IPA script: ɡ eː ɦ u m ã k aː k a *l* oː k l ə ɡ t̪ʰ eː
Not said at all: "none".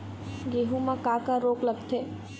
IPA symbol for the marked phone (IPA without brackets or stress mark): ɾ